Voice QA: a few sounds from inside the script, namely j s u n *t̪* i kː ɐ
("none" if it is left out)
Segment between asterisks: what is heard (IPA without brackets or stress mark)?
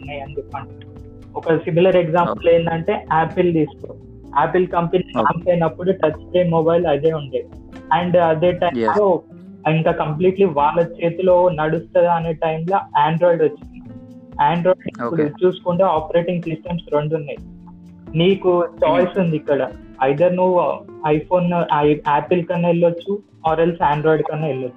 d̪